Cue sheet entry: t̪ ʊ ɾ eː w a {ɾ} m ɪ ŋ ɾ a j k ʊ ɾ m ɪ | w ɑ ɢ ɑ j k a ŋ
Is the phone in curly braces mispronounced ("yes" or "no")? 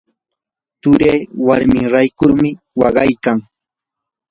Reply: no